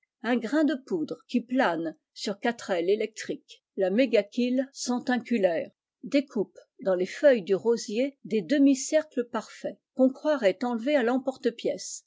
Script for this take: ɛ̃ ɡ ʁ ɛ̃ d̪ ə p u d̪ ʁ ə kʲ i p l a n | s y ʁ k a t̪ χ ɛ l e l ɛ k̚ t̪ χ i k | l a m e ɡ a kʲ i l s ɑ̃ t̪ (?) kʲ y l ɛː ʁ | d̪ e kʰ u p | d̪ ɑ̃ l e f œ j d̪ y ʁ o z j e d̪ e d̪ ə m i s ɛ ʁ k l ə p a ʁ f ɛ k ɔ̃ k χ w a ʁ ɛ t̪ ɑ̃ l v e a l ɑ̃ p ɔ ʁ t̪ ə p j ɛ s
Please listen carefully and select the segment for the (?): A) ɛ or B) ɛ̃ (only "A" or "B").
B